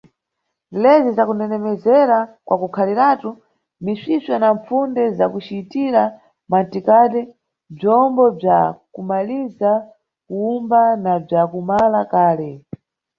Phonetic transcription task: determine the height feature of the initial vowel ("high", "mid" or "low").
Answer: mid